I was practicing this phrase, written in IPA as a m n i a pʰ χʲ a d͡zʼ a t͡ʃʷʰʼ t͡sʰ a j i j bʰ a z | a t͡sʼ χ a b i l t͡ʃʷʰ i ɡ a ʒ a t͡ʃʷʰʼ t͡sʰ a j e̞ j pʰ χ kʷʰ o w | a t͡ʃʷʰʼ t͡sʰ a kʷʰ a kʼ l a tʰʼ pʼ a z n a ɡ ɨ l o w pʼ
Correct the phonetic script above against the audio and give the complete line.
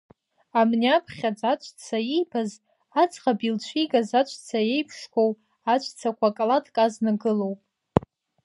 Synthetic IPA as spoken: a m n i a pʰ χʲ a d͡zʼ a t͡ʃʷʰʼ t͡sʰ a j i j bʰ a z | a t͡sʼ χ a b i l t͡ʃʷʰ i ɡ a z a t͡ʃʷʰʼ t͡sʰ a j e̞ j pʰ ʂ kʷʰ o w | a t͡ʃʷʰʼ t͡sʰ a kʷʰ a kʼ l a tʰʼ kʼ a z n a ɡ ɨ l o w pʼ